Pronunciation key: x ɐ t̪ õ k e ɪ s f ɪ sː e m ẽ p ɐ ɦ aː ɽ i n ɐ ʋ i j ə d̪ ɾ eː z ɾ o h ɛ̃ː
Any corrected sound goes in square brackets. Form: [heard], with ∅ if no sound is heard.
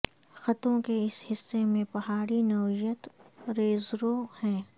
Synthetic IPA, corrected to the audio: x ɐ t̪ õ k e ɪ s [h] ɪ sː e m ẽ p ɐ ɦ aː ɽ i n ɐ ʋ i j ə [t̪] ɾ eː z ɾ o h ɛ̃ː

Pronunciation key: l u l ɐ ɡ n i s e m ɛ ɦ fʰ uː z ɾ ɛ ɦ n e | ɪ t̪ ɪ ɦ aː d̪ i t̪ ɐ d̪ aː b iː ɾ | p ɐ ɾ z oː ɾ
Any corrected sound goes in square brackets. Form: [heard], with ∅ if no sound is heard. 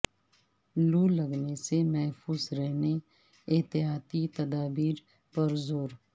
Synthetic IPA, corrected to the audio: l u l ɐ ɡ n [e] s e m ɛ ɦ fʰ uː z ɾ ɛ ɦ n e | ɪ t̪ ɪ ɦ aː [t̪] i t̪ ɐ d̪ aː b iː ɾ | p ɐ ɾ z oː ɾ

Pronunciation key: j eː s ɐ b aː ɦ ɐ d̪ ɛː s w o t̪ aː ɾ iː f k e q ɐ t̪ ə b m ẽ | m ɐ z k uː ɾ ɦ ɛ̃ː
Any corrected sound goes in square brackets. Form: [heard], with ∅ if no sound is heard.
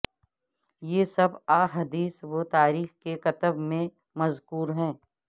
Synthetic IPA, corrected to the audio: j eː s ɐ b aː ɦ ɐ d̪ [iː] s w o t̪ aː ɾ iː [x] k e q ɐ t̪ ə b m ẽ | m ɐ z k uː ɾ ɦ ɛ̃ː

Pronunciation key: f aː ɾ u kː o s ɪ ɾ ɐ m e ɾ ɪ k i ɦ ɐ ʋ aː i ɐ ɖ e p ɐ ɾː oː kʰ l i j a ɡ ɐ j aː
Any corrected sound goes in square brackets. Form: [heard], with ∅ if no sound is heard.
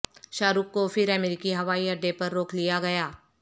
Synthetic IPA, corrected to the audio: [ʃ] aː ɾ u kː o [f] ɪ ɾ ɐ m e ɾ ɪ k i ɦ ɐ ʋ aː i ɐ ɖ e p ɐ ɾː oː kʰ l i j a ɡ ɐ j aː

